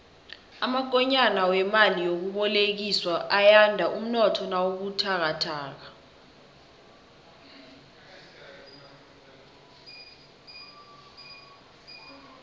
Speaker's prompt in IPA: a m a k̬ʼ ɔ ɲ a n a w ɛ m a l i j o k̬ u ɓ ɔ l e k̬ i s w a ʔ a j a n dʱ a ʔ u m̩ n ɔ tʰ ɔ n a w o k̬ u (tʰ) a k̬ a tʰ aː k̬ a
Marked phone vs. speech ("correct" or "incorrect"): correct